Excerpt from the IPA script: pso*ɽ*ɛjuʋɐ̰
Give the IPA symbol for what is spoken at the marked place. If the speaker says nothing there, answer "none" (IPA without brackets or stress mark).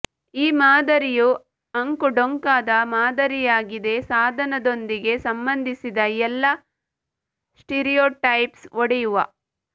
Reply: ɽ